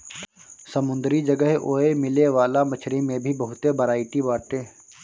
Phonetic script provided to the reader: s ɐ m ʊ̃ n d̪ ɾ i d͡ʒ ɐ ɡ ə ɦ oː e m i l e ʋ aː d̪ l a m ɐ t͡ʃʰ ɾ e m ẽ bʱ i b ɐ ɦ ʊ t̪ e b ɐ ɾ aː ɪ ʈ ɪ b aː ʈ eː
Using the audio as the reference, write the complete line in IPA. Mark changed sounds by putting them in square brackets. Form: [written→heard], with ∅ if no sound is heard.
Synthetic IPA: s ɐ m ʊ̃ n d̪ ɾ i d͡ʒ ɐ ɡ ə ɦ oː e m [i→ɪ] l e ʋ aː [d̪→∅] l a m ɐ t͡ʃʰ ɾ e m ẽ bʱ i b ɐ ɦ ʊ t̪ e b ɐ ɾ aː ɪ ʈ [ɪ→i] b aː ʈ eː